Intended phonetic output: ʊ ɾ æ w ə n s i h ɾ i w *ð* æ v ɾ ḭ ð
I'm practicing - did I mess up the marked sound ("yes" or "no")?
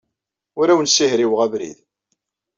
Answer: yes